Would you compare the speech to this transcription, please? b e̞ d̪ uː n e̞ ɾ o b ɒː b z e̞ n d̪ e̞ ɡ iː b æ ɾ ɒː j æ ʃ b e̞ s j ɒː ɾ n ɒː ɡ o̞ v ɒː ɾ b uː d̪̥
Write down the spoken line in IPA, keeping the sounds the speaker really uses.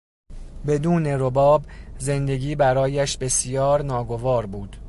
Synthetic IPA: b e̞ d̪ uː n e̞ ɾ o b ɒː b z e̞ n d̪ e̞ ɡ iː b æ ɾ ɒː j æ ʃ b e̞ s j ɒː ɾ n ɒː ɡ o̞ v ɒː ɾ b uː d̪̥